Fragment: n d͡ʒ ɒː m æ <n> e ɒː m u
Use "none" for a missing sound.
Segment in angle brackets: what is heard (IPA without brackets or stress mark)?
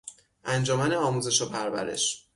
n